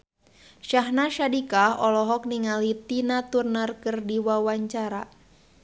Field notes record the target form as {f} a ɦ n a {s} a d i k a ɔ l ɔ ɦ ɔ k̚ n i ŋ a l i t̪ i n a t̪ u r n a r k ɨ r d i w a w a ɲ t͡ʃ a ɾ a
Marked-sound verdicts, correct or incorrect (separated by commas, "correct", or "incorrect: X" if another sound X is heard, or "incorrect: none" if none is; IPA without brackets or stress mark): incorrect: ʃ, incorrect: ʃ